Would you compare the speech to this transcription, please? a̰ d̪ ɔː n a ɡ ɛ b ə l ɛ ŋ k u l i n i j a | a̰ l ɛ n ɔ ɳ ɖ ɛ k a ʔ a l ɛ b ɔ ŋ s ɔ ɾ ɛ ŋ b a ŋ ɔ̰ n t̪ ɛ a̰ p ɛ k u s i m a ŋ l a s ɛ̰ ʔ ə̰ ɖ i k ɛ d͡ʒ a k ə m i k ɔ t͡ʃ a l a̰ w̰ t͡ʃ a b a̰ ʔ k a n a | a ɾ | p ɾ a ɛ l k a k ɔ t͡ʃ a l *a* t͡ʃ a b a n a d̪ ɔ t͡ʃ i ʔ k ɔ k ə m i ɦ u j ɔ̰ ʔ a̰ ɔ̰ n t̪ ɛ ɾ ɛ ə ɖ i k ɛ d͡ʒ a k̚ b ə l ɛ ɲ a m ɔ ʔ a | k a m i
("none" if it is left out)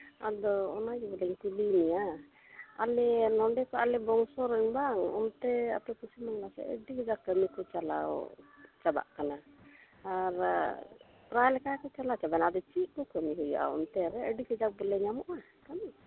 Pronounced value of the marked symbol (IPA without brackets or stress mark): a